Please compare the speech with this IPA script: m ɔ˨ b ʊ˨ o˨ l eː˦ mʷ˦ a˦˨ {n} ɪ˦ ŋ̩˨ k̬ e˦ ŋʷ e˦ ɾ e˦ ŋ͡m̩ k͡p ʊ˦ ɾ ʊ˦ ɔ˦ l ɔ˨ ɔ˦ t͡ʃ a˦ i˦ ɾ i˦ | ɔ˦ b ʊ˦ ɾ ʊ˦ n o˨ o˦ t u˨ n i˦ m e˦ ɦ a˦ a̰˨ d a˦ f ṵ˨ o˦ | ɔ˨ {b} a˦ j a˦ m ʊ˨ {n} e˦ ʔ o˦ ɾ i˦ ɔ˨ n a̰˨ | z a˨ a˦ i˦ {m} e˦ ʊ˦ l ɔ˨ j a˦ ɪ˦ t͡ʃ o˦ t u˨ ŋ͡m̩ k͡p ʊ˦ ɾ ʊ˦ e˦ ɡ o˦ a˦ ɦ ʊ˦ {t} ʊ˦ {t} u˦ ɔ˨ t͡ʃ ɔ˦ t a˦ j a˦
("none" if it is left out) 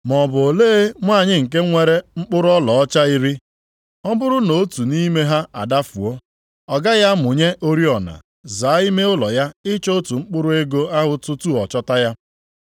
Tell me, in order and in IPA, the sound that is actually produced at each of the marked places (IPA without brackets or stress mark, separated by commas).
ɲ, ɡ, ɲ, m, t, t